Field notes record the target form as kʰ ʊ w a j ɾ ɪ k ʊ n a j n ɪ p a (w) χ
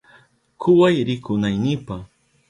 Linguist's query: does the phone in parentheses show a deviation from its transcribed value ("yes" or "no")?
yes